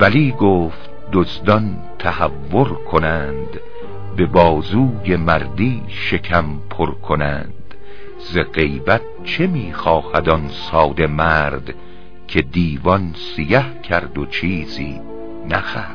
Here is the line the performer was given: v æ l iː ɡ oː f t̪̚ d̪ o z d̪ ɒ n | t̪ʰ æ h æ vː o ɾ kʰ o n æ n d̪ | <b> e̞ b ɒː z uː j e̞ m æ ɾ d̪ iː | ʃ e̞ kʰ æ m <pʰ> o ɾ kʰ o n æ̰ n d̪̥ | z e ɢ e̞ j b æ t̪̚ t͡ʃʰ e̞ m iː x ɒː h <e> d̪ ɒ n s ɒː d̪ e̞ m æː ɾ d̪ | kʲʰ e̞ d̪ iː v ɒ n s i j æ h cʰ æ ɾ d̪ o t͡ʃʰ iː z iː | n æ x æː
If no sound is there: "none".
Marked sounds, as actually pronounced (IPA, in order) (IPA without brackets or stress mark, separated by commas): b, pʰ, æ